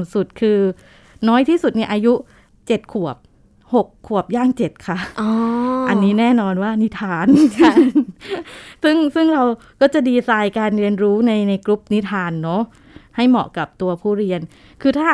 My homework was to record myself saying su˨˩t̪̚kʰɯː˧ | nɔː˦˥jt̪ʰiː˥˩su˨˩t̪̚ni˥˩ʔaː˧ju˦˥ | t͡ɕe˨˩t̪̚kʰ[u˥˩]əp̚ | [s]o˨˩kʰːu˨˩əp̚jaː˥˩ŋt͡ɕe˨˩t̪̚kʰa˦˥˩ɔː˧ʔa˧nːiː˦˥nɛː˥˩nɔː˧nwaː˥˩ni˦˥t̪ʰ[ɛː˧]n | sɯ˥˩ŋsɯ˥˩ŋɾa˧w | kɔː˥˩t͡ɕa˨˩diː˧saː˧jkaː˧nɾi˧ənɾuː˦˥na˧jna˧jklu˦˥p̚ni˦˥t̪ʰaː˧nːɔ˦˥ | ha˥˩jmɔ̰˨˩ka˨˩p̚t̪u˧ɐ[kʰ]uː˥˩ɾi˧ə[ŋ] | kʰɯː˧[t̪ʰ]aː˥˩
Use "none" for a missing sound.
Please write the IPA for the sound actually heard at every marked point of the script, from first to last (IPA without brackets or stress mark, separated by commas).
u˨˩, h, aː˧, pʰ, n, t̪ʰ